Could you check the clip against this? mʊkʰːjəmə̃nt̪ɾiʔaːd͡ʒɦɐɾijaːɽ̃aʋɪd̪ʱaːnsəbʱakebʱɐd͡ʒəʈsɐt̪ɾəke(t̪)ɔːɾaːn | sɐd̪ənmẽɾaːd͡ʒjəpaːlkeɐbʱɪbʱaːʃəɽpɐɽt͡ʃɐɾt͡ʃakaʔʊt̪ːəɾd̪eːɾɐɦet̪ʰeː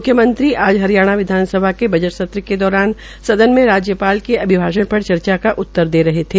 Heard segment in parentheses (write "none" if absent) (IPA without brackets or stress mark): d̪